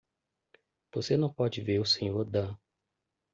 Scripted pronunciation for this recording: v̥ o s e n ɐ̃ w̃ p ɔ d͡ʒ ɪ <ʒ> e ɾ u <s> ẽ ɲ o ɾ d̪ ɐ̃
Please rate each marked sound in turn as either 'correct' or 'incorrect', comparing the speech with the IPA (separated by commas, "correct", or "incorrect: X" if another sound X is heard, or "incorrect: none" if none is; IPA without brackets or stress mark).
incorrect: v, correct